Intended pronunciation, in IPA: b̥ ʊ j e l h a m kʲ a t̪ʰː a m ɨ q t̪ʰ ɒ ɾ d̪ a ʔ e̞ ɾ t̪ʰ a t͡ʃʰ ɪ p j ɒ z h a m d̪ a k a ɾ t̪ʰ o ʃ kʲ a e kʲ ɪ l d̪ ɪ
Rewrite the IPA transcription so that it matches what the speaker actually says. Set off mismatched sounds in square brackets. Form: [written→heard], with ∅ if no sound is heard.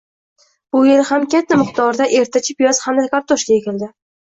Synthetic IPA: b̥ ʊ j e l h a m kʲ a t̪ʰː a m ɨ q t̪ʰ ɒ ɾ d̪ a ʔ e̞ ɾ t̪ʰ a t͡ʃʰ ɪ p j ɒ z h a m d̪ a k a ɾ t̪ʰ o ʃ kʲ a e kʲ ɪ l d̪ ɪ